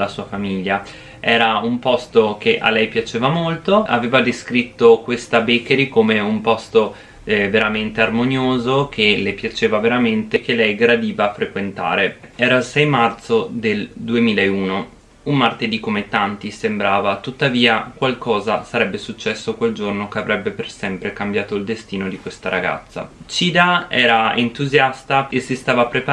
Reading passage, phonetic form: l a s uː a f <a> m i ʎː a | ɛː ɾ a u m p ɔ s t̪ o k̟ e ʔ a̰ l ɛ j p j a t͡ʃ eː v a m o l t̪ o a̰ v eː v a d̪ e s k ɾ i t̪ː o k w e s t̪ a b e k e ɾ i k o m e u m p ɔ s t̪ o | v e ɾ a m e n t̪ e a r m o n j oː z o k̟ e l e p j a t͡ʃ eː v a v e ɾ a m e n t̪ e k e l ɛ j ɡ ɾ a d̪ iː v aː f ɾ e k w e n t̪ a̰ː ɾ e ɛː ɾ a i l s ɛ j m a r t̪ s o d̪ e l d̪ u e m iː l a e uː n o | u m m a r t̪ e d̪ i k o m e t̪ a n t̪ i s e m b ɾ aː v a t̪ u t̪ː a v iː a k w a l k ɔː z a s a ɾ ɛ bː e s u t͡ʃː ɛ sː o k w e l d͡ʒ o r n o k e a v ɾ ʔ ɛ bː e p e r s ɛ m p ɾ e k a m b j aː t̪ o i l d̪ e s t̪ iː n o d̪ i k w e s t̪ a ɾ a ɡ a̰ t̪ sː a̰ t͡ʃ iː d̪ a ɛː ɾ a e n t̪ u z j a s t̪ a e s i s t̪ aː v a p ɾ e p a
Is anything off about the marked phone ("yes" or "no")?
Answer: no